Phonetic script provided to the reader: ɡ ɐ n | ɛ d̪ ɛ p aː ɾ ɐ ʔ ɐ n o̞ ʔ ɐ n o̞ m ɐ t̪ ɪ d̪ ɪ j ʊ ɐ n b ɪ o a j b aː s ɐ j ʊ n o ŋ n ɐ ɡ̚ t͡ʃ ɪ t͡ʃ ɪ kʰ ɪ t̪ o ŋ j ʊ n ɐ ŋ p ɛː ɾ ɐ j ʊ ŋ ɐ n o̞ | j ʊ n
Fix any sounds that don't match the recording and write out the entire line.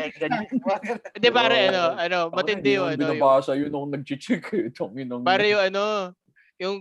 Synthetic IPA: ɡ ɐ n | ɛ d̪ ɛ p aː ɾ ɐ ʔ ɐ n o̞ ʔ ɐ n o̞ m ɐ t̪ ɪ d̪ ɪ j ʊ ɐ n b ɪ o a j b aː s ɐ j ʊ n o ŋ n ɐ ɡ̚ t͡ʃ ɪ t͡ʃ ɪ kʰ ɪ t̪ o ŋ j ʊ n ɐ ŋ p aː ɾ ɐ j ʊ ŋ ɐ n o̞ | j ʊ ŋ